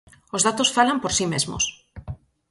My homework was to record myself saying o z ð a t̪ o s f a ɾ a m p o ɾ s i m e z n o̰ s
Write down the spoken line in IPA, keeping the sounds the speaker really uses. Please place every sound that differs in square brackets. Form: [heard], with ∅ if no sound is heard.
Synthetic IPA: o z ð a t̪ o s f a [l] a m p o ɾ s i m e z [m] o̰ s